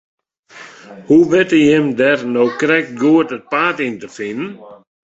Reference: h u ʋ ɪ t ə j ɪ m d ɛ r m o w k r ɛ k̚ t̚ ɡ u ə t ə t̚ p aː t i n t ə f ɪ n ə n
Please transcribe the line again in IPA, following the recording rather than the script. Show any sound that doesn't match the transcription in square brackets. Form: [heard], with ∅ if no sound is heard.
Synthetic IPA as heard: h u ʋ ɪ t ə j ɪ m d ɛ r [n] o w k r ɛ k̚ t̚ ɡ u ə t ə t̚ p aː t i n t ə f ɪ n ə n